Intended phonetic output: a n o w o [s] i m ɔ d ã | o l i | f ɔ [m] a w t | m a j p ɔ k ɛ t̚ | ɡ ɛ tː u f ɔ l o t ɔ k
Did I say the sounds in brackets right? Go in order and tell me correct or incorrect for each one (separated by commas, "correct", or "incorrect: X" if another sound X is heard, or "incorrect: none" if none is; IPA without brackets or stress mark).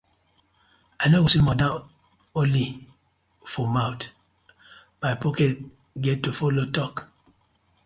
correct, correct